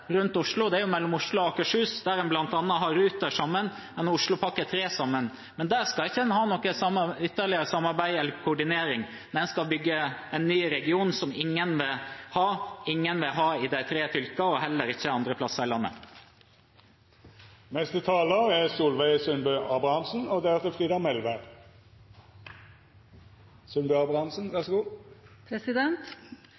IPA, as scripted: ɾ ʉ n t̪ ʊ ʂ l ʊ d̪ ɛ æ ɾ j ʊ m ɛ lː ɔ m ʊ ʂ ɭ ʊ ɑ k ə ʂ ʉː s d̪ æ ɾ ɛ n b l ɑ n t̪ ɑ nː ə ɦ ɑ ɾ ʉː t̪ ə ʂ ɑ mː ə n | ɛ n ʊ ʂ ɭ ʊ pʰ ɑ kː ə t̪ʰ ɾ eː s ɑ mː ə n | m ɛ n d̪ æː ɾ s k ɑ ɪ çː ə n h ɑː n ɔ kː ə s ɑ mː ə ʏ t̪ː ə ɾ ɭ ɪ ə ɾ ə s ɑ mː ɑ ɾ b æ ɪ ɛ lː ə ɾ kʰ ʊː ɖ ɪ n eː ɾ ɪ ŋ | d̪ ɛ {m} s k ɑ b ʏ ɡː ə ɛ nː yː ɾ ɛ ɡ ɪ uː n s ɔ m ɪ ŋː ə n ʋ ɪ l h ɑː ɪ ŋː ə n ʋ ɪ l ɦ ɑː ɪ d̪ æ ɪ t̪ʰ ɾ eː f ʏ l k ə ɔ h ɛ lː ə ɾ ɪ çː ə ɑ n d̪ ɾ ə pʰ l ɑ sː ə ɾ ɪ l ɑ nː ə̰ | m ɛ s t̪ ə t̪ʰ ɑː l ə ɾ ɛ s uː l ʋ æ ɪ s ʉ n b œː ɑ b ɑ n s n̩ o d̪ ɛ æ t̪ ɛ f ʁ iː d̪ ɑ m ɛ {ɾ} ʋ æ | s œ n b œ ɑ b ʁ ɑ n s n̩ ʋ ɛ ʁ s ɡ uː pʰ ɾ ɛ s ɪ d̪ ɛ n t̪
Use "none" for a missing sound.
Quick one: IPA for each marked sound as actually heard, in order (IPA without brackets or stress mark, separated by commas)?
n, l